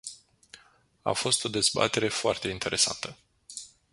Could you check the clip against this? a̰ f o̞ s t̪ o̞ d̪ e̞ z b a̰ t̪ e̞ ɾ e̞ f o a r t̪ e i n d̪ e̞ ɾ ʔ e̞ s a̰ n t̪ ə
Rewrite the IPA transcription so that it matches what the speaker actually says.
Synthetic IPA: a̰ f o̞ s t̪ o̞ d̪ e̞ z b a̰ t̪ e̞ ɾ e̞ f o a r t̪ e i n t̪ e̞ ɾ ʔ e̞ s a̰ n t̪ ə